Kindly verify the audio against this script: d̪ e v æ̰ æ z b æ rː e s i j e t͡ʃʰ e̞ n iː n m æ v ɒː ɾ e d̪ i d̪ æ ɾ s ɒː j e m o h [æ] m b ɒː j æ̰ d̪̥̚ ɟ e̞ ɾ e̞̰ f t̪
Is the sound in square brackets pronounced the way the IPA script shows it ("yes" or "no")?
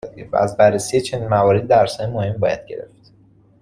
no